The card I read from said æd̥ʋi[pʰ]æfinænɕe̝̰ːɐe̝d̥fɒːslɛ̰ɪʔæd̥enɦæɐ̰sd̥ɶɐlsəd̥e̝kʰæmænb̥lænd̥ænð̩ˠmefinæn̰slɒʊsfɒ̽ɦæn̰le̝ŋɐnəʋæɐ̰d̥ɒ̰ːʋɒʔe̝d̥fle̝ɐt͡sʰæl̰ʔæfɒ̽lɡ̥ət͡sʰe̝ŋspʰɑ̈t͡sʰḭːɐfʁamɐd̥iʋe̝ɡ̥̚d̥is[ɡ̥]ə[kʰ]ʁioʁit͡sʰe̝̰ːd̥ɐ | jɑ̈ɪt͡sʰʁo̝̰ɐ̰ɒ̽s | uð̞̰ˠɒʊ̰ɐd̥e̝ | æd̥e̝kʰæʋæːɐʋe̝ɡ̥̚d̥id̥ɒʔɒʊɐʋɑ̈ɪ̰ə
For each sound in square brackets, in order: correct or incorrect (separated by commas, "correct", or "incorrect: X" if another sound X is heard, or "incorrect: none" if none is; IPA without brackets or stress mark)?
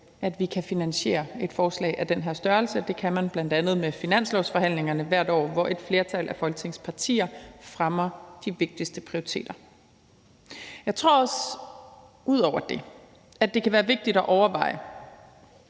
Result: incorrect: kʰ, incorrect: d̥, incorrect: pʰ